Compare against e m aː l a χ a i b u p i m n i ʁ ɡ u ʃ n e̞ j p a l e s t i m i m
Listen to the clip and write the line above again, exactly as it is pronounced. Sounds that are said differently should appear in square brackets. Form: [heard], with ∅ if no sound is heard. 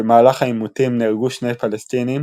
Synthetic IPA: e m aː l a χ a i [m] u [t] i m n i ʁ ɡ u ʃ n e̞ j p a l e s t i [n] i m